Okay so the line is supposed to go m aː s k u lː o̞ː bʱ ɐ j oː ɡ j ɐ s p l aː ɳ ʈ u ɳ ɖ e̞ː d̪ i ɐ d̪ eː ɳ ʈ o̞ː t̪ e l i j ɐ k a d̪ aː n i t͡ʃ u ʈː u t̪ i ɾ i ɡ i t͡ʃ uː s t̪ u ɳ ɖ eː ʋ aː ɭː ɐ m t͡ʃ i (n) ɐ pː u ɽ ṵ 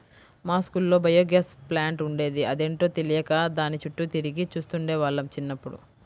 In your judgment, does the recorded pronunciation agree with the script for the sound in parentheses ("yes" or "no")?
no